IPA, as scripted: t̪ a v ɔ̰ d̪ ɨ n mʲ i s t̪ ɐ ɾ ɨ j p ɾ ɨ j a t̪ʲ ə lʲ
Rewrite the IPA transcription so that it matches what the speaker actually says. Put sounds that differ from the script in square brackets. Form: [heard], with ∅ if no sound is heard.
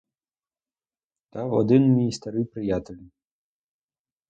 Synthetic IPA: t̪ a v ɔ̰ d̪ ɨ n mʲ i s t̪ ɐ ɾ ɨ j p ɾ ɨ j a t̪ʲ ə lʲ